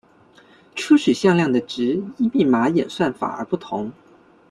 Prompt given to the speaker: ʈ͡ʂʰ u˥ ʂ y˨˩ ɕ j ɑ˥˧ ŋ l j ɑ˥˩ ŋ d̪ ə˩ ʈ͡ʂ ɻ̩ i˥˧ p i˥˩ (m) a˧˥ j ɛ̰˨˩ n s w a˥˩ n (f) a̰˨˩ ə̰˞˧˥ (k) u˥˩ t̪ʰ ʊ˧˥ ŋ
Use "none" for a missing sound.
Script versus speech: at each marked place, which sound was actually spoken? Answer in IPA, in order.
m, f, p

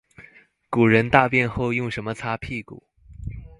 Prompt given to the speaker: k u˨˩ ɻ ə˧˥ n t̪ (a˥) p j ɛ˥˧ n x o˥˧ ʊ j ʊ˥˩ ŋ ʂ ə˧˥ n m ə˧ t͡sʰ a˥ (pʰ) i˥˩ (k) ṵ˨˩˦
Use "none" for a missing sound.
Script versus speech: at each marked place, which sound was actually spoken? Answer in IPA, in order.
a˥˧, pʰ, k

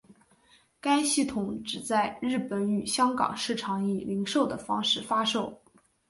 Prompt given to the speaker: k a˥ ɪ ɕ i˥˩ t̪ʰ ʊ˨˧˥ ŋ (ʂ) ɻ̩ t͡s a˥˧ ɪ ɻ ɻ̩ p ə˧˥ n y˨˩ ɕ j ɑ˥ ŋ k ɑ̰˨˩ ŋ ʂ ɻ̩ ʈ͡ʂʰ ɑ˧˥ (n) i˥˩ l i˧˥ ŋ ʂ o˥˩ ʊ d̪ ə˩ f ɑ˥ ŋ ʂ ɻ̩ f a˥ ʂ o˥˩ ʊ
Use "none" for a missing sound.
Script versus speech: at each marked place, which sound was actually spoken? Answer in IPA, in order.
ʈ͡ʂ, ŋ

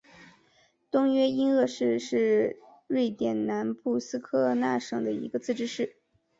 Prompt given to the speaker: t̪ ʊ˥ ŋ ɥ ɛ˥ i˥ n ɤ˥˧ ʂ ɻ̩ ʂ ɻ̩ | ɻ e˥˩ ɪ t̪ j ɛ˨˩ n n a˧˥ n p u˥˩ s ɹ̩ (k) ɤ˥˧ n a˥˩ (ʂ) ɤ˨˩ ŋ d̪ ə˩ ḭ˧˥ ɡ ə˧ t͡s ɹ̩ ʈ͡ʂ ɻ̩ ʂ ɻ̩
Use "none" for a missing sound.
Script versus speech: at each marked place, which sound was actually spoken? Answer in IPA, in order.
kʰ, ʂ

